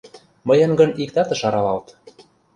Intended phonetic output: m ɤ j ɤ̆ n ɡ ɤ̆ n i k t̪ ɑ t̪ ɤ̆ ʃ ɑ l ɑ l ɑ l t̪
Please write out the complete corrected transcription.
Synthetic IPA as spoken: m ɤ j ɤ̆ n ɡ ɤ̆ n i k t̪ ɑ t̪ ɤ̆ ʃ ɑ ɾ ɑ l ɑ l t̪